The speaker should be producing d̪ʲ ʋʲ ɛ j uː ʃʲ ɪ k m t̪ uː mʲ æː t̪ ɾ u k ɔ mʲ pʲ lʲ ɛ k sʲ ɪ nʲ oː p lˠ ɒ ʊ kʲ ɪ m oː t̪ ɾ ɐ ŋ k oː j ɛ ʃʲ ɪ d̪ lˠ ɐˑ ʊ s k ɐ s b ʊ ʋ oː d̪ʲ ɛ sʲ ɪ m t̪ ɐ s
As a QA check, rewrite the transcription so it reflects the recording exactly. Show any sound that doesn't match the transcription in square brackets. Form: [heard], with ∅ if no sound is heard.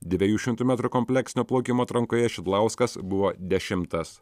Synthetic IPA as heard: d̪ʲ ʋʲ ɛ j uː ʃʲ ɪ [∅] m t̪ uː mʲ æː t̪ ɾ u k ɔ mʲ pʲ lʲ ɛ k sʲ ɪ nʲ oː p lˠ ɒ ʊ kʲ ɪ m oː t̪ ɾ ɐ ŋ k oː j ɛ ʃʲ ɪ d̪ lˠ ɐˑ ʊ s k ɐ s b ʊ ʋ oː d̪ʲ ɛ [ʃʲ] ɪ m t̪ ɐ s